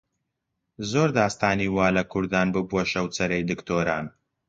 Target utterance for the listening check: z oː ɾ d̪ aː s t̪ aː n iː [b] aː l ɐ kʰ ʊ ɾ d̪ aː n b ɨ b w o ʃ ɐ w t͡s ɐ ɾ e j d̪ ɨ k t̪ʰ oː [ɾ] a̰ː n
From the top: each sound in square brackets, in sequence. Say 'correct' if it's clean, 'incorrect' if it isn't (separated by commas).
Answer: incorrect, correct